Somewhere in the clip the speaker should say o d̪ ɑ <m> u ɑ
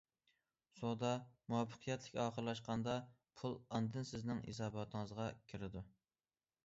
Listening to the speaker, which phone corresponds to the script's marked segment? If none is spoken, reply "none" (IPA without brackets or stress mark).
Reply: m